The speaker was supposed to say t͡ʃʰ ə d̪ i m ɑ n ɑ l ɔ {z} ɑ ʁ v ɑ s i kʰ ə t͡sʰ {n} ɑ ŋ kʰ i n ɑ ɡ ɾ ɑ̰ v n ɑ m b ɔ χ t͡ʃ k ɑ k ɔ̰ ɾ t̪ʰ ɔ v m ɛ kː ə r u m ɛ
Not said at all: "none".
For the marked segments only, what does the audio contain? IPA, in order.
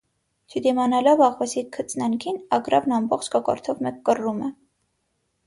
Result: v, n

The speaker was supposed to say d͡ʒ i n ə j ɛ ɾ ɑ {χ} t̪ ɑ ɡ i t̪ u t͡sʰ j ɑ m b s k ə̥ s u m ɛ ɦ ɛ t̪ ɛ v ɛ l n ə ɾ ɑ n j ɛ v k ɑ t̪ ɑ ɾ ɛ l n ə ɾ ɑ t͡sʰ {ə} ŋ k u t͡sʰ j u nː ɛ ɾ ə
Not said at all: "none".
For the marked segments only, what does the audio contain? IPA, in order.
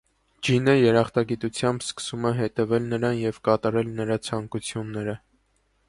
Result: χ, ɑ

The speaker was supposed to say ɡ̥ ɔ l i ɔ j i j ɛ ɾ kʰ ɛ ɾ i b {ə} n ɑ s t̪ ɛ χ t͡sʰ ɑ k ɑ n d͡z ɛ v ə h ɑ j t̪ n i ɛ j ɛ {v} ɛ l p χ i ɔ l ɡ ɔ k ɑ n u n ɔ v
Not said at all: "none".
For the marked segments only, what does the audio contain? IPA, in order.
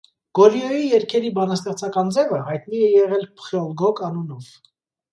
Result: ɑ, ʁ

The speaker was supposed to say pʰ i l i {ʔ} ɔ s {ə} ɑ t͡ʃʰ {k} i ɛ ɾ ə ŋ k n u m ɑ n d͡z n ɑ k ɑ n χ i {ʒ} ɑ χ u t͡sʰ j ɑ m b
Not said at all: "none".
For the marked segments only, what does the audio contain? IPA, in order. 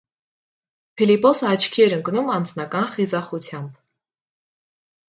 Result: p, ə, kʰ, z

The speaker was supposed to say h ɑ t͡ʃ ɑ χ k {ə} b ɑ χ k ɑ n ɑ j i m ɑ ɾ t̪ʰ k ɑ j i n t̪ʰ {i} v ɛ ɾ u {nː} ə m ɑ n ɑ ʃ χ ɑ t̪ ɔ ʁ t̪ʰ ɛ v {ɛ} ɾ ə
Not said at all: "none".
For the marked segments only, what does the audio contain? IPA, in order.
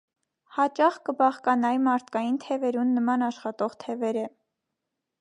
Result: ə, ɛ, nː, ɛ

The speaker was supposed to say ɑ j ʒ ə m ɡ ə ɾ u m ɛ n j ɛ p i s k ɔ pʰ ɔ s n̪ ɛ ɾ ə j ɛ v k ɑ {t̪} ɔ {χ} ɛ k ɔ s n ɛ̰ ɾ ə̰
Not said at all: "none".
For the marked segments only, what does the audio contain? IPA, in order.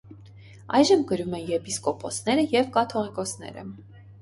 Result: t̪ʰ, ʁ

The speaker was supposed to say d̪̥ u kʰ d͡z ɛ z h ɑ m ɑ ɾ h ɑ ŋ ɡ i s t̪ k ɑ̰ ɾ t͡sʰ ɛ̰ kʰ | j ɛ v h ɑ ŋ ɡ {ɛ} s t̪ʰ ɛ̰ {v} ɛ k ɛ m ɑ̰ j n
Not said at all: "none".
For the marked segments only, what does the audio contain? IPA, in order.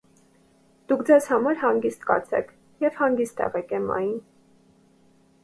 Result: i, ʁ

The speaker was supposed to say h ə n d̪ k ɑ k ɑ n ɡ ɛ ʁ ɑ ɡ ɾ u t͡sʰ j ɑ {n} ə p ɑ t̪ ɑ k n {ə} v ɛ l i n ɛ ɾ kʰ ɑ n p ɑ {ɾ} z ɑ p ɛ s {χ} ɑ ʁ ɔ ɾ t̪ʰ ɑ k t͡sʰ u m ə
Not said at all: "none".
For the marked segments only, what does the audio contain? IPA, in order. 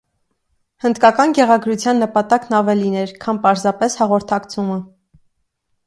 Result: nː, ɑ, ɾ, h

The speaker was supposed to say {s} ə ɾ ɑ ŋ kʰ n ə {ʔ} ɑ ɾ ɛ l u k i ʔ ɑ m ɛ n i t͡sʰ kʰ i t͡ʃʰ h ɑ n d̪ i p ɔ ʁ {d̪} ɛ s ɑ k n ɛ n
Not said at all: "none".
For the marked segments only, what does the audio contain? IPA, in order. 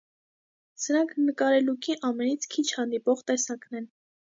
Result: s, k, t̪

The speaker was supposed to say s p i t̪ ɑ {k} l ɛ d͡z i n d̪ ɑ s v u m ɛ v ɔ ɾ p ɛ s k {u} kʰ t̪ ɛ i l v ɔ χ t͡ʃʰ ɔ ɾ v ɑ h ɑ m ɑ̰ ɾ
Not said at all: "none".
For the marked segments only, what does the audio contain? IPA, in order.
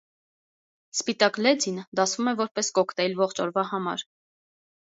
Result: k, ɔ

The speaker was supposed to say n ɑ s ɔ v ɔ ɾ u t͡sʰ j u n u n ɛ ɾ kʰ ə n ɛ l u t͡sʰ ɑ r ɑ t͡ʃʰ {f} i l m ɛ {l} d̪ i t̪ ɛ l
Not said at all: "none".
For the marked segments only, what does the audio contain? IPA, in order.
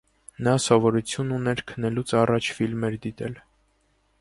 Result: f, ɾ

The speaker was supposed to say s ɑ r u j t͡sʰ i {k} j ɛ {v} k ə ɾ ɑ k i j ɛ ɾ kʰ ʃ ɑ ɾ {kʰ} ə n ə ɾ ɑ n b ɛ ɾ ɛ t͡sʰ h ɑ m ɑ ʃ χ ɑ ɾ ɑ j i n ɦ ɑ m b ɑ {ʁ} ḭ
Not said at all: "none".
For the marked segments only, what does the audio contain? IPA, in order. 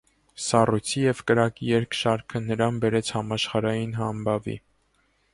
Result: none, v, kʰ, v

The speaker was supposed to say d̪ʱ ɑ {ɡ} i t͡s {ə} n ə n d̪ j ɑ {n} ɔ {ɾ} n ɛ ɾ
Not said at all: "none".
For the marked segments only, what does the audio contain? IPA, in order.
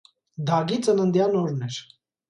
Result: ɡ, ə, n, ɾ

